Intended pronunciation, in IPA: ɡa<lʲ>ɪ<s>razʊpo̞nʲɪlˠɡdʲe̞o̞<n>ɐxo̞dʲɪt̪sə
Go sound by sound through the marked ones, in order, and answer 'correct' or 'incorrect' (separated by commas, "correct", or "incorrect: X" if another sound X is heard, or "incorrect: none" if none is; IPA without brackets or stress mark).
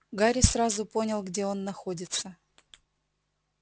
incorrect: ɾʲ, correct, incorrect: nː